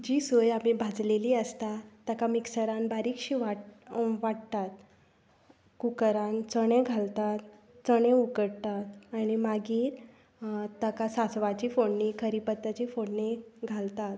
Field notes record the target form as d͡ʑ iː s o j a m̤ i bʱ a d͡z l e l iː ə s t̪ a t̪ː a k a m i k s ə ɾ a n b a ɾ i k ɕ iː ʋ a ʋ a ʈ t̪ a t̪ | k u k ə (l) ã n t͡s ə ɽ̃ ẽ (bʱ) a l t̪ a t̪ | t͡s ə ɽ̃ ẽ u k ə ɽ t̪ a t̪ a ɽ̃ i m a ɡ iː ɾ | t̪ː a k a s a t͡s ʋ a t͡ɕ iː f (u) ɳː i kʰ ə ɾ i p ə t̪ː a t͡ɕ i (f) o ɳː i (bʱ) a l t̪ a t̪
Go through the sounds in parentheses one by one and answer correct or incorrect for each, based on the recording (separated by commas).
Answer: incorrect, incorrect, incorrect, correct, incorrect